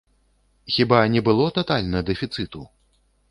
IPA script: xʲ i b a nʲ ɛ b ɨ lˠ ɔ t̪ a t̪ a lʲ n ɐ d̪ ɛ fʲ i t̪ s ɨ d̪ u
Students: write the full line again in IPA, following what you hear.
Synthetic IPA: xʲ i b a nʲ ɛ b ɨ lˠ ɔ t̪ a t̪ a lʲ n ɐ d̪ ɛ fʲ i t̪ s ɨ t̪ u